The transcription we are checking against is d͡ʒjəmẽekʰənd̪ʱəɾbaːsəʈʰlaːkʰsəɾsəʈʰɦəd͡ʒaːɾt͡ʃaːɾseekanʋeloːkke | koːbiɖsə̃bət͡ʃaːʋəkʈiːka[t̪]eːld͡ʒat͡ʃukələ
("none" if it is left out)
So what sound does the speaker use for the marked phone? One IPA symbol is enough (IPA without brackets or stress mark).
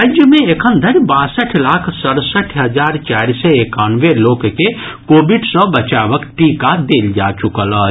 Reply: d̪